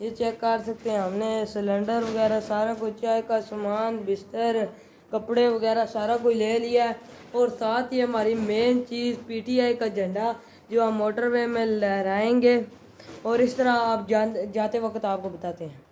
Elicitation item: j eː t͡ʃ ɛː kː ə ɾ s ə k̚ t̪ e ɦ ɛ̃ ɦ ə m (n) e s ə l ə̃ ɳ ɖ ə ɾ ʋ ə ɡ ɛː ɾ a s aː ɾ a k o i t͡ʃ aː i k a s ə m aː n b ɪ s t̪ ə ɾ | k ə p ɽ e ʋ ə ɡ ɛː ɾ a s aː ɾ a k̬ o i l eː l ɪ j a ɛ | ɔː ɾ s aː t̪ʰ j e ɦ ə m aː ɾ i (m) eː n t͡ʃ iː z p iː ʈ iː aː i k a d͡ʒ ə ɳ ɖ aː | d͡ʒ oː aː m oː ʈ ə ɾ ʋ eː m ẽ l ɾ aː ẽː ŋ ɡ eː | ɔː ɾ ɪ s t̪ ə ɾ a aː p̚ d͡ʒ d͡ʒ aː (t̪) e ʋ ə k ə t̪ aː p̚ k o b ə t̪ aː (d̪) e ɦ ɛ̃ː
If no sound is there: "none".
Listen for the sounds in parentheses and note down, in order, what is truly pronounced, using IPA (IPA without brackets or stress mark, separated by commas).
n, m, t̪, t̪